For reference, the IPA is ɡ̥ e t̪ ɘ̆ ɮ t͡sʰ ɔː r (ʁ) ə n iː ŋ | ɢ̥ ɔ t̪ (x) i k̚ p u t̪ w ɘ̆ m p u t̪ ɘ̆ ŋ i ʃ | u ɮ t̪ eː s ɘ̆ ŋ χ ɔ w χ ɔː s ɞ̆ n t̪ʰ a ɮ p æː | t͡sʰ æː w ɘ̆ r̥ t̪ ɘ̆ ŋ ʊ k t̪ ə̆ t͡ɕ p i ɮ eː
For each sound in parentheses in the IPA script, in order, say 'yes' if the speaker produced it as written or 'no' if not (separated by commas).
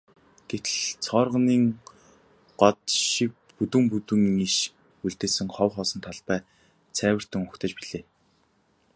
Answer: yes, no